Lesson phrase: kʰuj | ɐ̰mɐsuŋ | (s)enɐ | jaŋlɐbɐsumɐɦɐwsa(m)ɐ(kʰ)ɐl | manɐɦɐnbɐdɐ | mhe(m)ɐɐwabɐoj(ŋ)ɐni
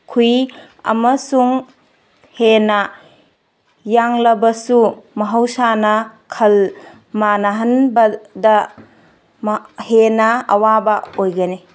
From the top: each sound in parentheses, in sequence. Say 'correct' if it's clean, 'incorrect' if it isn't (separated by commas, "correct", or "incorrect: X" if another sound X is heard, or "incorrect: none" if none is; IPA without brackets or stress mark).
incorrect: h, incorrect: n, correct, incorrect: n, incorrect: ɡ